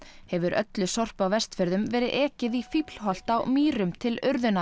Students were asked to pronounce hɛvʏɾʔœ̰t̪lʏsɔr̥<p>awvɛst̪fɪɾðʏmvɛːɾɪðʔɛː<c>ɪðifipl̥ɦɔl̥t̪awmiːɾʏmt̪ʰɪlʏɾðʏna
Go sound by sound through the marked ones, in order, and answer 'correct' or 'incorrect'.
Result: correct, correct

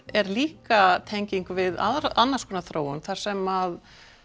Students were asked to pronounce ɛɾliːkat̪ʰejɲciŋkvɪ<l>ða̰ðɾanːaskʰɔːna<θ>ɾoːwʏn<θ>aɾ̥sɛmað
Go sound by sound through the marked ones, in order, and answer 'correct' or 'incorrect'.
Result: incorrect, correct, correct

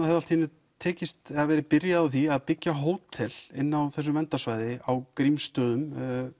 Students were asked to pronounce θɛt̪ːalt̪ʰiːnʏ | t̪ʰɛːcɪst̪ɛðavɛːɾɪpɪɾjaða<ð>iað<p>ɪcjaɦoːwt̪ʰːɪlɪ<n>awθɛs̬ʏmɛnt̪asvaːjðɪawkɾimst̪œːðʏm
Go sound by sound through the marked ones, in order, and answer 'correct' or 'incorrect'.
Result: incorrect, correct, incorrect

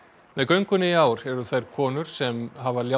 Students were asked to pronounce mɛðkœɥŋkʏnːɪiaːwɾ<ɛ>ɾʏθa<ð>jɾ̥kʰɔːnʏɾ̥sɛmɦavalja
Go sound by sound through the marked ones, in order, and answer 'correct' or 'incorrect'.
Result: correct, incorrect

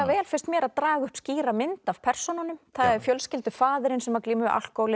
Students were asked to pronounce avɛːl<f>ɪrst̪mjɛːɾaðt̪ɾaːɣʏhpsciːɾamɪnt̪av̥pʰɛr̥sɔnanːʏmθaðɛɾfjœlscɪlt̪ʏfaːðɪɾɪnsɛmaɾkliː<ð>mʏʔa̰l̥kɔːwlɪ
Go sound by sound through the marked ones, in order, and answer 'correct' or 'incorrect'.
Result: correct, incorrect

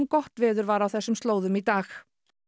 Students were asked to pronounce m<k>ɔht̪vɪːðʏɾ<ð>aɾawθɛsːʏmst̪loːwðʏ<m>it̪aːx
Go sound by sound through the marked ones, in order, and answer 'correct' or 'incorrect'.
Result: correct, incorrect, correct

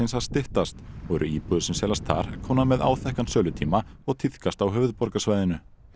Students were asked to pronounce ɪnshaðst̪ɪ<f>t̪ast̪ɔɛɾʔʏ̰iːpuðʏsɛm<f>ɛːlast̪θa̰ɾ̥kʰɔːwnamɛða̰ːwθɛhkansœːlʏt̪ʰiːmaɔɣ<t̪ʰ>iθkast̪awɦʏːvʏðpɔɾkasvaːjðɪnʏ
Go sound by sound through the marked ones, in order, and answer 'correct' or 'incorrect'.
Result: incorrect, incorrect, correct

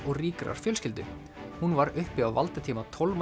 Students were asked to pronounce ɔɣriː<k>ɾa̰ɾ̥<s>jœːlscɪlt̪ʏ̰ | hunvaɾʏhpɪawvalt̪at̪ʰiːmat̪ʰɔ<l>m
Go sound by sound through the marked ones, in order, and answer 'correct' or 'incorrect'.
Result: correct, incorrect, correct

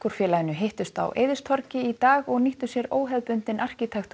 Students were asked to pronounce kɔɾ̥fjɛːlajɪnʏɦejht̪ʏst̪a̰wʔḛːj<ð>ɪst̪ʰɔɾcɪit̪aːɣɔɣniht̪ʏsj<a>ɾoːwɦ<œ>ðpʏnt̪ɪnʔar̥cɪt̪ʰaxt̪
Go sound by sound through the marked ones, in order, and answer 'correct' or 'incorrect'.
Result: correct, incorrect, incorrect

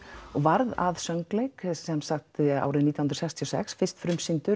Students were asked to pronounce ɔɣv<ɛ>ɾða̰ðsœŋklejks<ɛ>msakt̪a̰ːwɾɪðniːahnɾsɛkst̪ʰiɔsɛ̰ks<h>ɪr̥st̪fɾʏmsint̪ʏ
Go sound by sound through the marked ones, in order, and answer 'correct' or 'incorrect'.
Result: incorrect, correct, incorrect

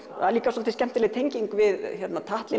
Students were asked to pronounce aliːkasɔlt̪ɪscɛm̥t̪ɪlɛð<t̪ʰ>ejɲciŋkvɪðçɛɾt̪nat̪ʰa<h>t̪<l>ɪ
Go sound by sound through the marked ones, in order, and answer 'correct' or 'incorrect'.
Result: correct, correct, correct

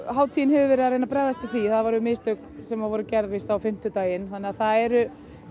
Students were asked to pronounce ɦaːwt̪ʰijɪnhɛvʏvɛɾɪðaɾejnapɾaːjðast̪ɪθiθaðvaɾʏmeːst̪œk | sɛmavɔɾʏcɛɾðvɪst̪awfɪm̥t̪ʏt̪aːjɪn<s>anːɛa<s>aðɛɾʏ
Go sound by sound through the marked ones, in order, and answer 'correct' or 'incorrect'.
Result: incorrect, incorrect

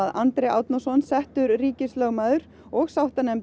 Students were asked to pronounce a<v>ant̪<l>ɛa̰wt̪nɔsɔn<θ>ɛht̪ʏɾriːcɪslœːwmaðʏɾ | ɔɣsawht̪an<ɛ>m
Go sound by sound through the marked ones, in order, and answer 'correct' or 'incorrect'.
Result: incorrect, incorrect, incorrect, correct

